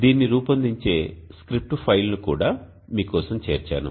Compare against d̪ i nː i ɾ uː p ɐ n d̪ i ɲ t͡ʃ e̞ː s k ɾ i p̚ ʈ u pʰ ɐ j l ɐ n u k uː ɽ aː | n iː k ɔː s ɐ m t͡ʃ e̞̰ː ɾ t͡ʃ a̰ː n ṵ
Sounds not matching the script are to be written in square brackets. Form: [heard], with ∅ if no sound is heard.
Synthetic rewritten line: d̪ [iː] nː i ɾ uː p ɐ n d̪ i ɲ t͡ʃ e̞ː s k ɾ i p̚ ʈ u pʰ ɐ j l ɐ n u k uː ɽ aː | [m] iː k ɔː s ɐ m t͡ʃ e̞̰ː ɾ t͡ʃ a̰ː n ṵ